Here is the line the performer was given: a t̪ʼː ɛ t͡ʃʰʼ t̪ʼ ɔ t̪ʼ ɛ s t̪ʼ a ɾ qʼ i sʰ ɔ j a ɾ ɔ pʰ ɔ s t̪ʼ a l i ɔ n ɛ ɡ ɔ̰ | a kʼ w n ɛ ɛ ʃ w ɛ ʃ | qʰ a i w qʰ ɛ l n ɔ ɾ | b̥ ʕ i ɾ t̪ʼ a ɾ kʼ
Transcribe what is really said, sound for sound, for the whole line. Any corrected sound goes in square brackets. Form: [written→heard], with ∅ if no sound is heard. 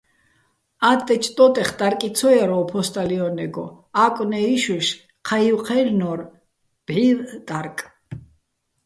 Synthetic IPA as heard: a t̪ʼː ɛ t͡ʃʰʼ t̪ʼ ɔ t̪ʼ ɛ [s→χ] t̪ʼ a ɾ [qʼ→kʼ] i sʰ ɔ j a ɾ ɔ pʰ ɔ s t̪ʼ a l i ɔ n ɛ ɡ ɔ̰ | a kʼ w n ɛ [ɛ→i] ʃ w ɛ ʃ | qʰ a i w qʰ ɛ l n ɔ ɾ | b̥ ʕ i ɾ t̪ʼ a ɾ kʼ